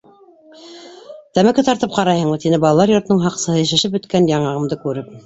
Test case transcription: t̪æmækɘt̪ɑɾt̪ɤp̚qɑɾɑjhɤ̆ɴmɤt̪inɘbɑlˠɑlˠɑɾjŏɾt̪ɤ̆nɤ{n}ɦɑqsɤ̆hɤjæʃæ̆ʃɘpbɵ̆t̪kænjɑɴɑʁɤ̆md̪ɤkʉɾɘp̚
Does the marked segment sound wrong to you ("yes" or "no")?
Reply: yes